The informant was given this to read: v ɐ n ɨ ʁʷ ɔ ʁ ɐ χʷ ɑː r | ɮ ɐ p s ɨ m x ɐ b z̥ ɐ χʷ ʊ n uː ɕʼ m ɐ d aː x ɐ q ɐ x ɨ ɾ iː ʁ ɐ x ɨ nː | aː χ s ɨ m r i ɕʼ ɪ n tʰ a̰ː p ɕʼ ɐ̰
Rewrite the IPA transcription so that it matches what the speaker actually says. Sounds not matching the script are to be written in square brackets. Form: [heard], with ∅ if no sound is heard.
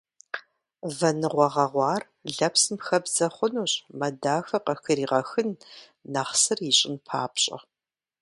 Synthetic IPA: v ɐ n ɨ ʁʷ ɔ ʁ ɐ [ʁʷ] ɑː r | ɮ ɐ p s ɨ m x ɐ b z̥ ɐ χʷ ʊ n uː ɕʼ m ɐ d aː x ɐ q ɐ x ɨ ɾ iː ʁ ɐ x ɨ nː | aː χ s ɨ [∅] r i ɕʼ ɪ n [pʰ] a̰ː p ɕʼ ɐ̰